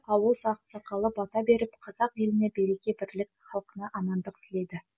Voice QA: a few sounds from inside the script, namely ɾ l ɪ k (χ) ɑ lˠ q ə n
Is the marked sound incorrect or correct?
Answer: correct